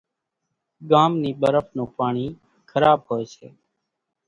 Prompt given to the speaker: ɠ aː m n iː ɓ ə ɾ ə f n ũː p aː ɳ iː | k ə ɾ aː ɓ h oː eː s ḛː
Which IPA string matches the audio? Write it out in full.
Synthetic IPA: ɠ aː m n iː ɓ ə ɾ ə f n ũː p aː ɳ iː | kʰ ə ɾ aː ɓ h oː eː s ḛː